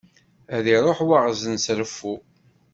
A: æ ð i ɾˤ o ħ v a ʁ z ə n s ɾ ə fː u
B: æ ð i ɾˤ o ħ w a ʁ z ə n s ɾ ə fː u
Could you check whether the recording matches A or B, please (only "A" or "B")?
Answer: B